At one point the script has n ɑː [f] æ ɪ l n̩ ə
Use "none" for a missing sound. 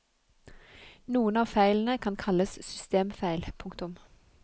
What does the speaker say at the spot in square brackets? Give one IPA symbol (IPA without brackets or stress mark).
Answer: f